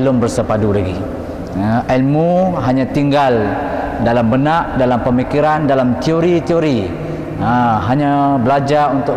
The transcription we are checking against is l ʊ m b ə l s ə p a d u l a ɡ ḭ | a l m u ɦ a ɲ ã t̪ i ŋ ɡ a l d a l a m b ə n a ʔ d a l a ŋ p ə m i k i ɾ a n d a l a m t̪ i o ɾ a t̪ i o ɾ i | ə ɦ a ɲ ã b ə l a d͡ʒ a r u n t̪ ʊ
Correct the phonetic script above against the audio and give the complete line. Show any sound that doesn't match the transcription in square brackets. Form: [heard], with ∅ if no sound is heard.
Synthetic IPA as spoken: l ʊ m b ə [r] s ə p a d u l a ɡ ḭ | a l m u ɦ a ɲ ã t̪ i ŋ ɡ a l d a l a m b ə n a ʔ d a l a [m] p ə m i k i ɾ a n d a l a m t̪ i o ɾ [i] t̪ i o ɾ i | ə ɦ a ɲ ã b ə l a d͡ʒ a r u n t̪ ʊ